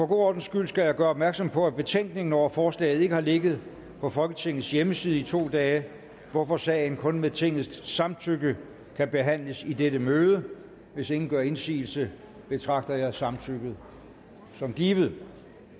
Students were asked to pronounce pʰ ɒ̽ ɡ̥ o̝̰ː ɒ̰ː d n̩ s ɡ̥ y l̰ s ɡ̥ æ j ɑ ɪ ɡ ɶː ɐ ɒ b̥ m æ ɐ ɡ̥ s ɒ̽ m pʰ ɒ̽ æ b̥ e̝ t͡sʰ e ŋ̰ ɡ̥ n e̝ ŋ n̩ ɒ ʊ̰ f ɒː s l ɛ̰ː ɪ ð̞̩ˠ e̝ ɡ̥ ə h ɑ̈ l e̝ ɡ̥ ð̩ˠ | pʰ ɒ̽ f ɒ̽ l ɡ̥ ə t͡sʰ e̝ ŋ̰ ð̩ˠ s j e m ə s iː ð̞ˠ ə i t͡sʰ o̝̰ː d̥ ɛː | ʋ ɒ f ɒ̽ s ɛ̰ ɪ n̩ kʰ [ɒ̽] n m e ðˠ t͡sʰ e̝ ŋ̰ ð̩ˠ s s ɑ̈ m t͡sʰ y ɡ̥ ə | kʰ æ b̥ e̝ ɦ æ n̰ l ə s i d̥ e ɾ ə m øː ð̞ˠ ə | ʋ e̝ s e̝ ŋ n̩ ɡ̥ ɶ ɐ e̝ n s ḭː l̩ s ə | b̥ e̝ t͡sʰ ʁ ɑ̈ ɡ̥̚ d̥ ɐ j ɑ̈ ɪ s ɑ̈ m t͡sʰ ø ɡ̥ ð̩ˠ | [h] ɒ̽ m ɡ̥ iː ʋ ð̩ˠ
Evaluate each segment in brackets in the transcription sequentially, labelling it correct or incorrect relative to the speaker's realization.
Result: incorrect, incorrect

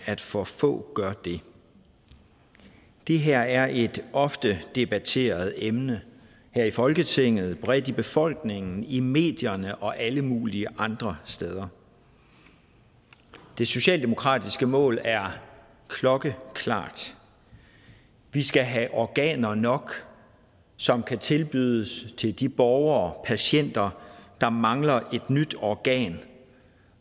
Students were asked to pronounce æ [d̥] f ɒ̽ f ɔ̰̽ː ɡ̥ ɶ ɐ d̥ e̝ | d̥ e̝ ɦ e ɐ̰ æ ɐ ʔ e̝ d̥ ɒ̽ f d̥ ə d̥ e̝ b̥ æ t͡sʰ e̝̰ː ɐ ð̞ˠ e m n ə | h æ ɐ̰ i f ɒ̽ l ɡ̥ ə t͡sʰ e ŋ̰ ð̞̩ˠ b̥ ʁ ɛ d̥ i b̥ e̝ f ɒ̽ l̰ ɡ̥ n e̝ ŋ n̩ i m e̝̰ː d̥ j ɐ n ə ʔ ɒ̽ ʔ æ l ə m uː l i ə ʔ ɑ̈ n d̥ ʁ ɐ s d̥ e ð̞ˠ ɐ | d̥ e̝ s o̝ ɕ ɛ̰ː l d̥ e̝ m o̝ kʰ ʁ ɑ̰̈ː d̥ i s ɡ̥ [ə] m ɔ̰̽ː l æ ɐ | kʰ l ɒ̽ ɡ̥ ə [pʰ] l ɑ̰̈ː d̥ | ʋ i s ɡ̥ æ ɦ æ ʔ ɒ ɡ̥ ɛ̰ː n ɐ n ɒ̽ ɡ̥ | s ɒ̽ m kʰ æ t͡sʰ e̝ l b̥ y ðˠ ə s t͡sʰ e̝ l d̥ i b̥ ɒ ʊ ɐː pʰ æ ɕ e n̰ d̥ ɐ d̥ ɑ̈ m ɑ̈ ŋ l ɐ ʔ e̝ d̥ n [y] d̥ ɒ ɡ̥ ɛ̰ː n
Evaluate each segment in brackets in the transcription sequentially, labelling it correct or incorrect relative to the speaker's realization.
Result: correct, correct, incorrect, correct

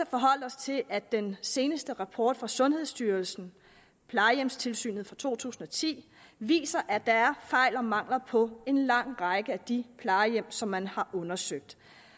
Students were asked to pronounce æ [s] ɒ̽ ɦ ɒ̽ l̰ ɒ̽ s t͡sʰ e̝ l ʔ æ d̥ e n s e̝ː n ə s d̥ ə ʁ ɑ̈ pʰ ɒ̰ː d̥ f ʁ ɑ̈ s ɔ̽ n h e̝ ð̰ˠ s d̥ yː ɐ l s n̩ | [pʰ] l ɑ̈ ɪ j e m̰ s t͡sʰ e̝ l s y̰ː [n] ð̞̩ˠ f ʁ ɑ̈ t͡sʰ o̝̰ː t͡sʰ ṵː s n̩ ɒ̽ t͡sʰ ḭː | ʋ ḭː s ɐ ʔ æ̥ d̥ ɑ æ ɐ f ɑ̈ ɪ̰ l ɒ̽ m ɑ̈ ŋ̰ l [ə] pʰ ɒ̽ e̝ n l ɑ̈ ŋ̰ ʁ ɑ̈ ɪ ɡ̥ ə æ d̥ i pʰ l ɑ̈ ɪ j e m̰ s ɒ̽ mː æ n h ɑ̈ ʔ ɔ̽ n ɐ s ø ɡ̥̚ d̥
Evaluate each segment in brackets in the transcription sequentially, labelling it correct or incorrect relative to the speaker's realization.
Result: incorrect, correct, correct, incorrect

